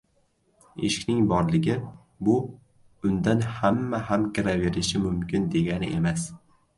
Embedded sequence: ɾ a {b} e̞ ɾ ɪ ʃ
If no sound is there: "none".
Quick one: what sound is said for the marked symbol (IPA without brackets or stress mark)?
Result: v